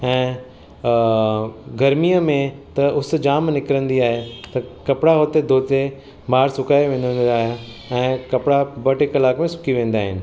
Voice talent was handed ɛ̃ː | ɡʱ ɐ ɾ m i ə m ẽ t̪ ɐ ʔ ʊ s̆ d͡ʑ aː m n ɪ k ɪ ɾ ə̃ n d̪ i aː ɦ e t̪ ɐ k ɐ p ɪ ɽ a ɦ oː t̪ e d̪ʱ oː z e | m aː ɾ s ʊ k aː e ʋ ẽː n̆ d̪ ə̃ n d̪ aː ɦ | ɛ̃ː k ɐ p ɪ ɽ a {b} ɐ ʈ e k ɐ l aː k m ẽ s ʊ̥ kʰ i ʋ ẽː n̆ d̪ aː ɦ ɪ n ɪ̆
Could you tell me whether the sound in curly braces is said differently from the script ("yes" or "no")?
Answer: no